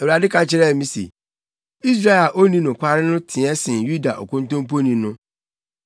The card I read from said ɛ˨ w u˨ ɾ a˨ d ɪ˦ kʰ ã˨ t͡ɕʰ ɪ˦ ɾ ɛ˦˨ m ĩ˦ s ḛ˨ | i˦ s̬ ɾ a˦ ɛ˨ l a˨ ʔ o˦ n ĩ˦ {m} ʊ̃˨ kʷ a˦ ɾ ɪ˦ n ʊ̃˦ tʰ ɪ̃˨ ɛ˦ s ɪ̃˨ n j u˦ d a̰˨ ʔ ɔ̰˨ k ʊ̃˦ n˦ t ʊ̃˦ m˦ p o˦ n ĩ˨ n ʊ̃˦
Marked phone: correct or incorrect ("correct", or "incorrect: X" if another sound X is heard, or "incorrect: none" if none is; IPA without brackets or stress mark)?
incorrect: n